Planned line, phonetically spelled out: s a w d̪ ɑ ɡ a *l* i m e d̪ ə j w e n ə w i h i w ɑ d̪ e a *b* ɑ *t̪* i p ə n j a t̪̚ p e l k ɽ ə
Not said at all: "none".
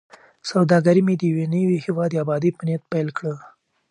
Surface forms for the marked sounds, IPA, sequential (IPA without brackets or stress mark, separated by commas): ɾ, b, d̪